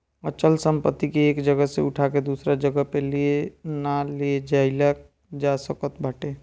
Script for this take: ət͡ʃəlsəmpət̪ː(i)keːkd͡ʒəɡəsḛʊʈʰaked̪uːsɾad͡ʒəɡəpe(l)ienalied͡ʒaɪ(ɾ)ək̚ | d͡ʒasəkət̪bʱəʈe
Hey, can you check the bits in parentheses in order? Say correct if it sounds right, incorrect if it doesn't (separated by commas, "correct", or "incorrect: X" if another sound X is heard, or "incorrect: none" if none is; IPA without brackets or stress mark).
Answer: correct, correct, incorrect: l